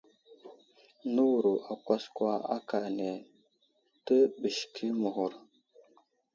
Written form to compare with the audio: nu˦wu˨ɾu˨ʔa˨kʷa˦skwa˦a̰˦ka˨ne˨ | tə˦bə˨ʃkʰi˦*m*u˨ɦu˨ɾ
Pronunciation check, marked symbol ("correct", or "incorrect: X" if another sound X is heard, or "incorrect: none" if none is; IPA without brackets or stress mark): correct